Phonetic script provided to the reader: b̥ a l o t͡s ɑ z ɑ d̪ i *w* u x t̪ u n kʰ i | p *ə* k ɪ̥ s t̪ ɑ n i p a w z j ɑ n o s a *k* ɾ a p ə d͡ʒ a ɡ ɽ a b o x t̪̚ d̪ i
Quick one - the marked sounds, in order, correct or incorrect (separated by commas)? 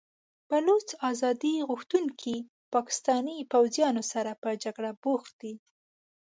incorrect, incorrect, incorrect